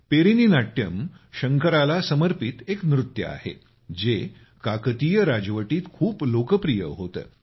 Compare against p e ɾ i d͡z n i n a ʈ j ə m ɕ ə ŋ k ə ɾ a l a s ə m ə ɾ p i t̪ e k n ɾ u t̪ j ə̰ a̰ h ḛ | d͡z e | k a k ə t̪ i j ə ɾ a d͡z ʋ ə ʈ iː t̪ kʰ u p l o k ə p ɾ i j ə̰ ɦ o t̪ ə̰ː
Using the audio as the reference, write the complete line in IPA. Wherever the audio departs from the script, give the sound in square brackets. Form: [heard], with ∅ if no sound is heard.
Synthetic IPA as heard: p e ɾ i [∅] n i n a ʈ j ə m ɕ ə ŋ k ə ɾ a l a s ə m ə ɾ p i t̪ e k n ɾ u t̪ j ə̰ a̰ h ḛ | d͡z e | k a k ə t̪ i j ə ɾ a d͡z ʋ ə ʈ iː t̪ kʰ [uː] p l o k ə p ɾ i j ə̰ ɦ o t̪ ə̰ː

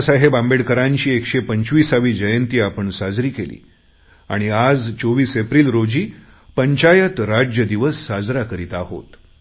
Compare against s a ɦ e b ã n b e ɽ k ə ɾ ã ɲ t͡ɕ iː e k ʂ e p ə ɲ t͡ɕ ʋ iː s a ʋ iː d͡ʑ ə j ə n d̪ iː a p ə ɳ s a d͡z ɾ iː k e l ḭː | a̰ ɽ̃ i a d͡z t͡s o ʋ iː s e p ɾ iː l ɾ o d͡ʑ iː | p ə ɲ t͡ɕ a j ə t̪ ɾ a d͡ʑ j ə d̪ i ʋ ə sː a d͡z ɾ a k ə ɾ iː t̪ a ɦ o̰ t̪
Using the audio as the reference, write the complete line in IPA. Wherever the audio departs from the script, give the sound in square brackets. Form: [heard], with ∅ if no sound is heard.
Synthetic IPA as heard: s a ɦ e b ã [m] b e ɽ k ə ɾ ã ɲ t͡ɕ iː e k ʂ e p ə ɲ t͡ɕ ʋ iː s a ʋ iː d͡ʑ ə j ə n [t̪] iː a p ə ɳ s a d͡z ɾ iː k e l ḭː | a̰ ɽ̃ i a d͡z t͡s o ʋ iː s e p ɾ iː l ɾ o d͡ʑ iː | p ə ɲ t͡ɕ a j ə t̪ ɾ a d͡ʑ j ə d̪ i ʋ ə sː a d͡z ɾ a k ə ɾ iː t̪ a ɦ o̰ t̪

